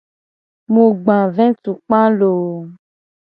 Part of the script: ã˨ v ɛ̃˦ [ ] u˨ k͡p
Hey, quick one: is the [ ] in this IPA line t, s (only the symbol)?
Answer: t